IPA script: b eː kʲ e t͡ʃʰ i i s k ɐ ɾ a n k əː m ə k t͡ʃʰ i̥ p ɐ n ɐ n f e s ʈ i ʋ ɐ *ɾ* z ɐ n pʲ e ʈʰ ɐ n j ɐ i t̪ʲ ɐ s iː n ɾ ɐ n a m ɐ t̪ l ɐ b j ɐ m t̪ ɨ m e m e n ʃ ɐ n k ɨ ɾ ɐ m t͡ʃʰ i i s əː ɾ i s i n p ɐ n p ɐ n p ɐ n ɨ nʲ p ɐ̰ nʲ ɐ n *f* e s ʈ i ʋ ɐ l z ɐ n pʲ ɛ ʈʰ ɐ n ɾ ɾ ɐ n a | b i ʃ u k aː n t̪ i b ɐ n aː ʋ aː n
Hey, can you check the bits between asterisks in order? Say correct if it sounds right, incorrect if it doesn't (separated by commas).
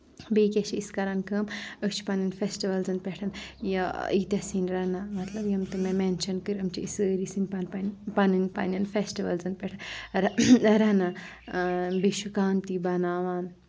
incorrect, correct